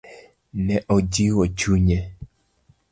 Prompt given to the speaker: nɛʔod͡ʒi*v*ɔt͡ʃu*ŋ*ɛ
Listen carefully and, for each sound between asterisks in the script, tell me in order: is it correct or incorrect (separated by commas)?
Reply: incorrect, incorrect